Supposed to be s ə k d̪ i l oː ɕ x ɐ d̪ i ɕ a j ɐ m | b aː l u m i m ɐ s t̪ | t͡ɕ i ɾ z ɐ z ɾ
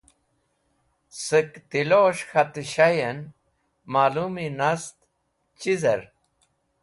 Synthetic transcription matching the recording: s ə k t̪ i l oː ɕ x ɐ t̪ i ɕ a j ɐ n | m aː l u m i n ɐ s t̪ | t͡ɕ i z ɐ ɾ